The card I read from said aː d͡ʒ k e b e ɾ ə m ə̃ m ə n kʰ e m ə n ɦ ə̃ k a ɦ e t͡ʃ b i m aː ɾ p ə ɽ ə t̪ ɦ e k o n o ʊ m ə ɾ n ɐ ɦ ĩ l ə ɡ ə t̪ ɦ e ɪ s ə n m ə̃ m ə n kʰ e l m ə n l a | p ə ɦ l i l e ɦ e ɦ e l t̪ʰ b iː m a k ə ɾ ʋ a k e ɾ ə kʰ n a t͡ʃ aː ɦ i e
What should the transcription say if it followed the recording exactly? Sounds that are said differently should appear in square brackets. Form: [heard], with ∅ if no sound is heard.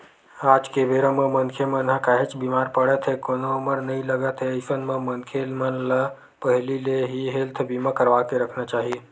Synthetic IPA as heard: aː d͡ʒ k e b e ɾ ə m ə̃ m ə n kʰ e m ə n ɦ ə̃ k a ɦ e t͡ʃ b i m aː ɾ p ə ɽ ə t̪ ɦ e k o n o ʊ m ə ɾ n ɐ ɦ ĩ l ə ɡ ə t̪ ɦ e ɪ s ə n m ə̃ m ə n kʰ e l m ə n l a | p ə ɦ l i l e ɦ [i] ɦ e l t̪ʰ b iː m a k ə ɾ ʋ a k e ɾ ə kʰ n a t͡ʃ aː ɦ i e